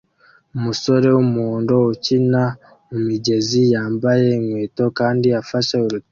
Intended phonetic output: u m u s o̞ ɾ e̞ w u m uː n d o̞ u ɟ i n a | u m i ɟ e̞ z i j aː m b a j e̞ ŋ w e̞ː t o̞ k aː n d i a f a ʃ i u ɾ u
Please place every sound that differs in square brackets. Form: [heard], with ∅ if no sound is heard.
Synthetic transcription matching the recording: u m u s o̞ ɾ e̞ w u m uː n d o̞ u [c] i n a | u m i ɟ e̞ z i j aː m b a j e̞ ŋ w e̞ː t o̞ k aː n d i a f a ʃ [e] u ɾ u